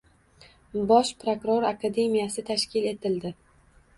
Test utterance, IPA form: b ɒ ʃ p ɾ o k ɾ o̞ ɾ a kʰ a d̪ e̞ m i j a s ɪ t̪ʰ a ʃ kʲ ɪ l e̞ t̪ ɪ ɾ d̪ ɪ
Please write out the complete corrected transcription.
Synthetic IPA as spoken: b ɒ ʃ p ɾ o k ɾ o̞ ɾ a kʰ a d̪ e̞ m i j a s ɪ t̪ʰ a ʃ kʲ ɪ l e̞ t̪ ɪ l d̪ ɪ